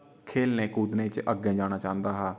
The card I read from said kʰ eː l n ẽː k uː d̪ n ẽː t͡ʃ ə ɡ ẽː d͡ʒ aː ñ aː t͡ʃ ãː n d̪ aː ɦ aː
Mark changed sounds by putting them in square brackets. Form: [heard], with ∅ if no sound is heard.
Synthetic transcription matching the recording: kʰ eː l n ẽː k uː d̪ n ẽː t͡ʃ ə ɡ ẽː d͡ʒ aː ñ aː t͡ʃ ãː n d̪ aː ɦ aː